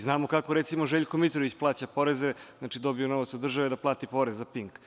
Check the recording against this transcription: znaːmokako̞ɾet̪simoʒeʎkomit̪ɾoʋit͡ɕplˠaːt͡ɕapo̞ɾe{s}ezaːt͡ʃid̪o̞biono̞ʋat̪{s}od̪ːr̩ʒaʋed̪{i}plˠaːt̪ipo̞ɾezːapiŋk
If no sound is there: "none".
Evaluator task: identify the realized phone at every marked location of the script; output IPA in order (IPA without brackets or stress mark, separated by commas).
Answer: z, s, a